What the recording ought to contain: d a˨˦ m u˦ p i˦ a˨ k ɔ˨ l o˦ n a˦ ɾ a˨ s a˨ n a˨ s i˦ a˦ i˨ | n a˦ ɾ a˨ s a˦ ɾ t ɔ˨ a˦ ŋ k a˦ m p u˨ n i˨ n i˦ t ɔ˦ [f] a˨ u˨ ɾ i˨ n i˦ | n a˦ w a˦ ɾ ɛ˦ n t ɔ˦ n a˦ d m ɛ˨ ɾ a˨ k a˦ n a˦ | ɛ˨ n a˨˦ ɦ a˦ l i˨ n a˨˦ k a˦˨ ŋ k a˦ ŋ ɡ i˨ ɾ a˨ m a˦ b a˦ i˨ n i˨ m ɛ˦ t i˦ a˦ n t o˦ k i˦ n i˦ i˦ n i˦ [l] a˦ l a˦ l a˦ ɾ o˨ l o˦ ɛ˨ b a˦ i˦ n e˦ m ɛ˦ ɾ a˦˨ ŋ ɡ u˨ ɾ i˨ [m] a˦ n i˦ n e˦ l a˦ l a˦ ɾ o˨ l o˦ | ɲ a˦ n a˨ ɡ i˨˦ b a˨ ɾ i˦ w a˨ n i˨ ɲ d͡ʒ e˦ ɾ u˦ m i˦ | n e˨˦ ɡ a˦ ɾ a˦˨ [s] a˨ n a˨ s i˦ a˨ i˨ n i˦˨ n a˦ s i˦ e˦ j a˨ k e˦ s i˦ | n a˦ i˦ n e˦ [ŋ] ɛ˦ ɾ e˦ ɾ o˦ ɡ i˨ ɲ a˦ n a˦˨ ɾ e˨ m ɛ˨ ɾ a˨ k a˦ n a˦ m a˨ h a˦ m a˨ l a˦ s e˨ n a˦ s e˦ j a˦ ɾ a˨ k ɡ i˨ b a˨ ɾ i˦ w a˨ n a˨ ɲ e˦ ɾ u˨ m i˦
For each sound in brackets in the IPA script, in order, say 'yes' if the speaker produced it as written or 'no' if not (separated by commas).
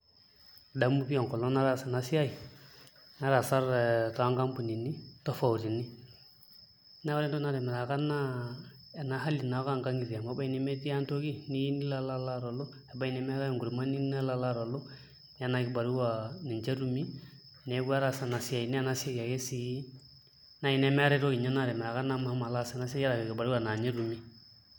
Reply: yes, yes, yes, yes, no